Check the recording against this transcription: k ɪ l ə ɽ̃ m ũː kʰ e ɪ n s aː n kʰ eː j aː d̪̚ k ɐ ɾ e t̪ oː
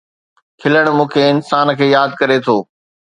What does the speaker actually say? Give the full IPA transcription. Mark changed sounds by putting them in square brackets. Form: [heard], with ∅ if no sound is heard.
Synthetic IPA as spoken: [kʰ] ɪ l ə ɽ̃ m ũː kʰ e ɪ n s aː n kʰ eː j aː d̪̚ k ɐ ɾ e [t̪ʰ] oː

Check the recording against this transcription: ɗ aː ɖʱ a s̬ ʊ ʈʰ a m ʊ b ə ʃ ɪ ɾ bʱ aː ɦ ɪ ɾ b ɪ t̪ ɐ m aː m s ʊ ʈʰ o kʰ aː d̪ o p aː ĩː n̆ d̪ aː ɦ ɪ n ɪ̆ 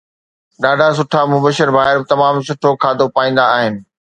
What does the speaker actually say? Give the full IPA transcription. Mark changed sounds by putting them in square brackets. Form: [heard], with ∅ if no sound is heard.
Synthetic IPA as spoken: ɗ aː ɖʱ a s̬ ʊ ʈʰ a m ʊ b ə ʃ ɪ ɾ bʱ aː ɦ ɪ ɾ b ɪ t̪ ɐ m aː m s ʊ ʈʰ o kʰ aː d̪ o p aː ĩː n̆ d̪ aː ɦ ɪ n ɪ̆

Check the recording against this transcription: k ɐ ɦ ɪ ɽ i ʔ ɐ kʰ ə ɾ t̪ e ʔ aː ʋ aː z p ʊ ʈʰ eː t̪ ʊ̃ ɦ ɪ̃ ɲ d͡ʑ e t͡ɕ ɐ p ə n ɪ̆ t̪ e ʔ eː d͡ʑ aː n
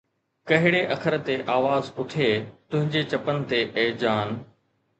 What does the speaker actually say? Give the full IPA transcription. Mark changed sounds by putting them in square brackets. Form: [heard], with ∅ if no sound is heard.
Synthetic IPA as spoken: k ɐ ɦ ɪ ɽ [e] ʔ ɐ kʰ ə ɾ t̪ e ʔ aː ʋ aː z p ʊ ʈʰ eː t̪ ʊ̃ ɦ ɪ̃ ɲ d͡ʑ e t͡ɕ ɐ p ə n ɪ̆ t̪ e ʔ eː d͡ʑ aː n

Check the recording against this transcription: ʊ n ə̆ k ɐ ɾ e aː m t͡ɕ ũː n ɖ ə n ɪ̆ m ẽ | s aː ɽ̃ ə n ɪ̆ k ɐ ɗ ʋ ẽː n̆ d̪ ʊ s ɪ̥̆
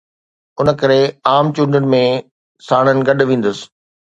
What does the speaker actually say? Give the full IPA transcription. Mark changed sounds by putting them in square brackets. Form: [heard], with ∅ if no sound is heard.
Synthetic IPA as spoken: ʊ n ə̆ k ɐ ɾ e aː m t͡ɕ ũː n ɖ ə n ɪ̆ m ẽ | s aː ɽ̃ ə n ɪ̆ [ɡ] ɐ ɗ ʋ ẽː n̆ d̪ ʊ s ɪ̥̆

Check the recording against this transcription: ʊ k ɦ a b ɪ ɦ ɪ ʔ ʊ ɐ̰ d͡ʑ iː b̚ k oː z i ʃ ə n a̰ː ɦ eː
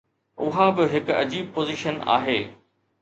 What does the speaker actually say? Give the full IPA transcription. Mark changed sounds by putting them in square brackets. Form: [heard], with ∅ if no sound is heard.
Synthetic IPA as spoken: ʊ [∅] ɦ a b ɪ ɦ ɪ [k] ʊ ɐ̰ d͡ʑ iː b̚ [p] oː z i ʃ ə n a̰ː ɦ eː

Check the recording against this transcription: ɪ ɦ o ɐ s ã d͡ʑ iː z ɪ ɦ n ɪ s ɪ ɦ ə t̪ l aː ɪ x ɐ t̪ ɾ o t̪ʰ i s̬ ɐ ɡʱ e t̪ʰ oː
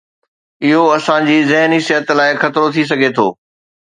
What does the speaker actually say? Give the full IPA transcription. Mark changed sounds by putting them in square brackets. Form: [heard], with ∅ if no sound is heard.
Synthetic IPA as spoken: ɪ ɦ o ɐ s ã d͡ʑ iː z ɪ ɦ n [i] s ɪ ɦ ə t̪ l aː ɪ x ɐ t̪ ɾ o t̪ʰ i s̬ ɐ ɡʱ e t̪ʰ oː

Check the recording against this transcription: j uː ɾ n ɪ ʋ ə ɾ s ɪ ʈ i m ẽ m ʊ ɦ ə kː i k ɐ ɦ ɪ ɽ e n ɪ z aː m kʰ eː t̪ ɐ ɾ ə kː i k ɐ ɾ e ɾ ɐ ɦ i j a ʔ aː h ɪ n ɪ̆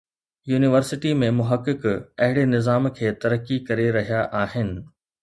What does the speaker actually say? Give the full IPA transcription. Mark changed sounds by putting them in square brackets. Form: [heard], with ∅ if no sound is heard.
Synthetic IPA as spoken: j uː [∅] n ɪ ʋ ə ɾ s ɪ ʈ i m ẽ m ʊ ɦ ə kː [ɪ] k ɐ ɦ ɪ ɽ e n ɪ z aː m kʰ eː t̪ ɐ ɾ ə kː i k ɐ ɾ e ɾ ɐ ɦ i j a ʔ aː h ɪ n ɪ̆

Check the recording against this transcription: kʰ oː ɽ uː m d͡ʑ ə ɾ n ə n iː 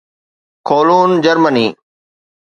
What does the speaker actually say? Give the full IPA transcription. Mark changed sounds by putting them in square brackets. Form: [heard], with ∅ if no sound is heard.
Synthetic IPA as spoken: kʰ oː [l] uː [n] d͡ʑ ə ɾ [m] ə n iː

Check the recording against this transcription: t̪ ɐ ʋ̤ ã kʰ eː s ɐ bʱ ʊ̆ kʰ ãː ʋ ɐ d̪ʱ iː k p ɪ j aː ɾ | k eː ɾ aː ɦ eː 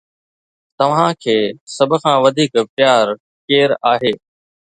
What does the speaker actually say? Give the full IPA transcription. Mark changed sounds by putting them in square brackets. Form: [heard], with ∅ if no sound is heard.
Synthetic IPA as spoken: t̪ ɐ ʋ̤ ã kʰ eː s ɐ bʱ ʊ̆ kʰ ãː ʋ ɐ d̪ʱ iː k p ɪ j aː ɾ | k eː ɾ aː ɦ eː

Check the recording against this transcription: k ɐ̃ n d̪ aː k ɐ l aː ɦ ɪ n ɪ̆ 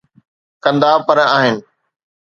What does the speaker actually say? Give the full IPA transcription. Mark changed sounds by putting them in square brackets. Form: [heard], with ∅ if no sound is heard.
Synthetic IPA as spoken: k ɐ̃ n d̪ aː [p] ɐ [ɾ] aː ɦ ɪ n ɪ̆

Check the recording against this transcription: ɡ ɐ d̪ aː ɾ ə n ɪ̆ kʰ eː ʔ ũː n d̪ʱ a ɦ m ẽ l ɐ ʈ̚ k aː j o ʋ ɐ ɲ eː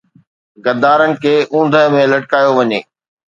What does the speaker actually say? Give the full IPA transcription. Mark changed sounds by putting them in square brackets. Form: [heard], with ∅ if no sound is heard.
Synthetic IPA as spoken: ɡ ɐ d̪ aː ɾ ə n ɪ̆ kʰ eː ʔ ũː n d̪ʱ [ə] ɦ m ẽ l ɐ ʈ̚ k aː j o ʋ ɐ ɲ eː

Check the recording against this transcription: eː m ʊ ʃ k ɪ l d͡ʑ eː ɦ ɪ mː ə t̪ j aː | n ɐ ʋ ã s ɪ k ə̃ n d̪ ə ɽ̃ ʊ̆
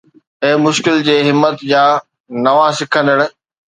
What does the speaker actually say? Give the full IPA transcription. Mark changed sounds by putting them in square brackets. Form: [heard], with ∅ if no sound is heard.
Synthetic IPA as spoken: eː m ʊ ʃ k ɪ l d͡ʑ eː ɦ ɪ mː ə t̪ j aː | n ɐ ʋ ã s ɪ [kʰ] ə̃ n d̪ ə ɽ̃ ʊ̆

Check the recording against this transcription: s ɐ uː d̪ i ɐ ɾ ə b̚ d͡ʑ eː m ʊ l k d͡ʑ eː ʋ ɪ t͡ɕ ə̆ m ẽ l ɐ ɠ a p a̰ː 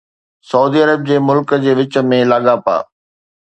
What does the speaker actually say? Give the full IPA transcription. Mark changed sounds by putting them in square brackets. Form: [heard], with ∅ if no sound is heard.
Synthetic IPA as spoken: s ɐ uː d̪ i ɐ ɾ ə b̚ d͡ʑ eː m ʊ l k d͡ʑ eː ʋ ɪ t͡ɕ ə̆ m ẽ l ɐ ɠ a p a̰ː

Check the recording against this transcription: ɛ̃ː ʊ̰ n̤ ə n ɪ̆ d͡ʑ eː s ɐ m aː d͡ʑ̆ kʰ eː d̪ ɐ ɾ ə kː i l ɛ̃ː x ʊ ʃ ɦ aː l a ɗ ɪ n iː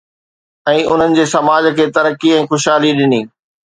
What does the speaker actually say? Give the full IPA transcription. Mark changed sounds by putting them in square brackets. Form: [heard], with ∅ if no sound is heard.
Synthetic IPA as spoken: ɛ̃ː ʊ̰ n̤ ə n ɪ̆ d͡ʑ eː s ɐ m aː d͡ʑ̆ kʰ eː [t̪] ɐ ɾ ə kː i [∅] ɛ̃ː x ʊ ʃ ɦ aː l [i] ɗ ɪ n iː

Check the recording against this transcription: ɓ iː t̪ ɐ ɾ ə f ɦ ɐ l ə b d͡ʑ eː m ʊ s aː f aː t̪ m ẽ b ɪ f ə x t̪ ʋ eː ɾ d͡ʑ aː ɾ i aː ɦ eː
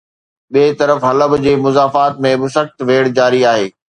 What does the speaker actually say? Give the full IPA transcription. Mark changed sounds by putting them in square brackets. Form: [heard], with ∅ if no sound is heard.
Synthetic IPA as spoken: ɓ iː t̪ ɐ ɾ ə f ɦ ɐ l ə b d͡ʑ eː m ʊ [z] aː f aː t̪ m ẽ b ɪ [s] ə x t̪ ʋ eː [ɽ] d͡ʑ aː ɾ i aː ɦ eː

